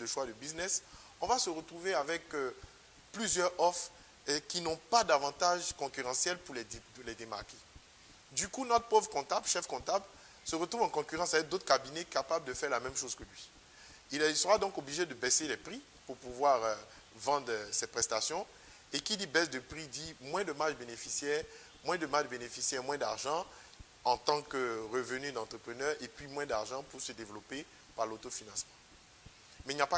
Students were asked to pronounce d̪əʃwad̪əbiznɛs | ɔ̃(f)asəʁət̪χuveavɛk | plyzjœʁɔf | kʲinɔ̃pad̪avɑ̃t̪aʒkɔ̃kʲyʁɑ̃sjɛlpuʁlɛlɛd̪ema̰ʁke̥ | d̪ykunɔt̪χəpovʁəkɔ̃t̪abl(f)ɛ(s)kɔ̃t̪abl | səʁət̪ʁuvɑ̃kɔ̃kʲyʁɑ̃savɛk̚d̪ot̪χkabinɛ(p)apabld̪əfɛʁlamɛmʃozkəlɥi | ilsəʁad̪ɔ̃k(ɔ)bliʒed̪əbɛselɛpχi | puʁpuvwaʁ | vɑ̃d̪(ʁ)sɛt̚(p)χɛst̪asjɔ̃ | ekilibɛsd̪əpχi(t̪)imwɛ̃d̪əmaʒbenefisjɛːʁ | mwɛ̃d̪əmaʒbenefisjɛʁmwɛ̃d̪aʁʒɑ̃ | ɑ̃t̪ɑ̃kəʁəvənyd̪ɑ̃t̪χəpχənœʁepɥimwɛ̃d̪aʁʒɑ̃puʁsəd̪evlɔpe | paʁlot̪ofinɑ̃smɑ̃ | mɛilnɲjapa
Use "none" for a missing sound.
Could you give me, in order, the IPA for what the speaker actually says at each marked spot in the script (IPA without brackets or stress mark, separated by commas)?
v, ʃ, f, k, o, ʁ, p, d̪